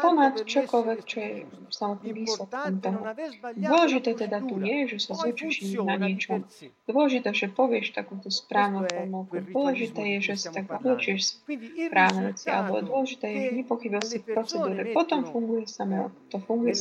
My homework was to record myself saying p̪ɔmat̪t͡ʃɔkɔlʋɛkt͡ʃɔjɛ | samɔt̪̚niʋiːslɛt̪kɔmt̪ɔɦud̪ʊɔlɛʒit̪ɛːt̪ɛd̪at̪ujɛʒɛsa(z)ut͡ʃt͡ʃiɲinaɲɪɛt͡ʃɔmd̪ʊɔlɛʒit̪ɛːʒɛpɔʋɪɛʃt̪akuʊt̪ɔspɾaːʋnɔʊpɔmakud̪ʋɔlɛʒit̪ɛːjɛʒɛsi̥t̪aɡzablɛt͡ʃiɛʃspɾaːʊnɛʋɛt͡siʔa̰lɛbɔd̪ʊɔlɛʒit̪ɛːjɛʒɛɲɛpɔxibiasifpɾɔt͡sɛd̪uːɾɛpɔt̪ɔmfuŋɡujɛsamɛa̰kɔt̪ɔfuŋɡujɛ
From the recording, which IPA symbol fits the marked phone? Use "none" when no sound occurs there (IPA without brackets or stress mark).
z